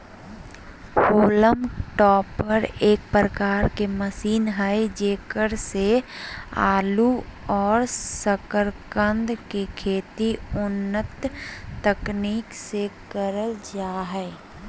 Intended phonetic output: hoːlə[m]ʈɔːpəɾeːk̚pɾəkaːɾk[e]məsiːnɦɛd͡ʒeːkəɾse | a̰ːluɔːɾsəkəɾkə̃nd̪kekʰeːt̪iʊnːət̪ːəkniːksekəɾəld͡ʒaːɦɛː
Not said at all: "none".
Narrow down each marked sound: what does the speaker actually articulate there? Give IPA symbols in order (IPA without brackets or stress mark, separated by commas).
m, e